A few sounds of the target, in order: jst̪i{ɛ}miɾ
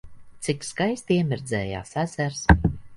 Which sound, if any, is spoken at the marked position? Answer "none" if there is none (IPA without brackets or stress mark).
ɛ